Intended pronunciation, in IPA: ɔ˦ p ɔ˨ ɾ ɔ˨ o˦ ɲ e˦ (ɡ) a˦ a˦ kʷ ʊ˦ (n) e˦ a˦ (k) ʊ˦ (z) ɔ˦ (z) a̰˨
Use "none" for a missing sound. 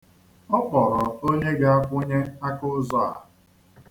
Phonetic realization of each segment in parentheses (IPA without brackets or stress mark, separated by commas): ɡ, ɲ, k, z, none